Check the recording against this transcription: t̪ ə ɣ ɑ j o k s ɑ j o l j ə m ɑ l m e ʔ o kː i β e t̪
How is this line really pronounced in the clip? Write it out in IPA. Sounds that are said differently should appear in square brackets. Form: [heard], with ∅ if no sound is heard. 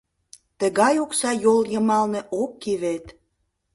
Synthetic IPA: t̪ ə ɣ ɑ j o k s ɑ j o l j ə m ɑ l [n] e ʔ o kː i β e t̪

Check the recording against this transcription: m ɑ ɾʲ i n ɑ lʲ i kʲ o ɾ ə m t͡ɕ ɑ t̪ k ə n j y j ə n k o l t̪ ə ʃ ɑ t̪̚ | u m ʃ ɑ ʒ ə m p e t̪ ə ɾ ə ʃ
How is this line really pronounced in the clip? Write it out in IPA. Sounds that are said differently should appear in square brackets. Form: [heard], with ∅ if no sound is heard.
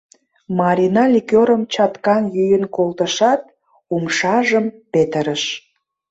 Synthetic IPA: m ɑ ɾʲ i n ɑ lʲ i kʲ o ɾ ə m t͡ɕ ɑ t̪ k [ɑ] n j y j ə n k o l t̪ ə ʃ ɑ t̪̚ | u m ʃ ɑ ʒ ə m p e t̪ ə ɾ ə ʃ

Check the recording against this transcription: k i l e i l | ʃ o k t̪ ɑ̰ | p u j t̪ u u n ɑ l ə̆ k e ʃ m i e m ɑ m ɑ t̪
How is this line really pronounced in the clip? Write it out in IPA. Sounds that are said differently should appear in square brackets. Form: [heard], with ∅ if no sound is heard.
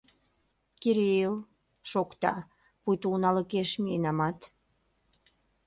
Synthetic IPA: k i [ɾ] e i l | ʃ o k t̪ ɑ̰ | p u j t̪ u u n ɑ l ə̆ k e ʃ m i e [n] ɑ m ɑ t̪

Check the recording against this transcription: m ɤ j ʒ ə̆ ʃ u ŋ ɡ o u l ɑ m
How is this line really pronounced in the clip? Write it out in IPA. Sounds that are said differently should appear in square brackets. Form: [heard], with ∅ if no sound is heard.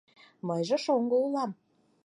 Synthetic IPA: m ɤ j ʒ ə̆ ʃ [o] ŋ ɡ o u l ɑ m

